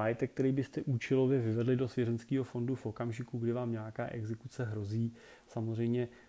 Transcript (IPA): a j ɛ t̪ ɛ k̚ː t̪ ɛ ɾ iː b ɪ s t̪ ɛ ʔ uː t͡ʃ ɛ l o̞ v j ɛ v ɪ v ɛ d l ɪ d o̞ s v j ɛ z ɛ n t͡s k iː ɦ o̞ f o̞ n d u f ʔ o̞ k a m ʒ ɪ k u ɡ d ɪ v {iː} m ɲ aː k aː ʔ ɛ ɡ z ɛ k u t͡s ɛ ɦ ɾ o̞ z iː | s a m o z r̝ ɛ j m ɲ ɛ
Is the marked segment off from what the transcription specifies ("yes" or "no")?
yes